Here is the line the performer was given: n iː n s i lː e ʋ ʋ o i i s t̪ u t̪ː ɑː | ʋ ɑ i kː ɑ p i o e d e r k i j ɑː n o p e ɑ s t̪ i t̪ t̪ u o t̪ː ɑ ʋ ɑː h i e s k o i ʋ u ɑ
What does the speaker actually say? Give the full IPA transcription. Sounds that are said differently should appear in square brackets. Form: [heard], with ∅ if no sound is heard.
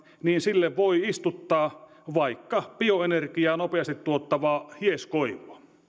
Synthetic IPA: n iː n s i lː e ʋ ʋ o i i s t̪ u t̪ː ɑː | ʋ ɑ i kː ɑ p i o e [n] e r k i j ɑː n o p e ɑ s t̪ i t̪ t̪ u o t̪ː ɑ ʋ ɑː h i e s k o i ʋ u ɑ